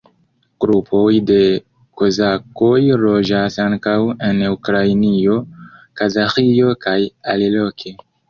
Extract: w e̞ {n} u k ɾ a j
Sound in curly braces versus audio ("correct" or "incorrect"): correct